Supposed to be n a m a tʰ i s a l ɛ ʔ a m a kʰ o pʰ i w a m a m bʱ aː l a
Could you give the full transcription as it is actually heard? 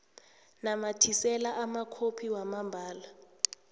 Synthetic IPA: n a m a tʰ i s ɛ l a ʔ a m a kʰ o pʰ i w a m a m bʱ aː l a